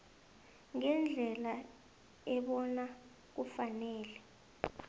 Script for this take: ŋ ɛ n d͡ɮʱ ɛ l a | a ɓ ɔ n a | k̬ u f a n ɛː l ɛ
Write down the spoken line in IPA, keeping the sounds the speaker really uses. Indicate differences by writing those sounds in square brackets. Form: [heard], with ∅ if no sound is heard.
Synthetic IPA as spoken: ŋ ɛ n d͡ɮʱ ɛ l a | [ɛ] ɓ ɔ n a | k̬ u f a n ɛː l ɛ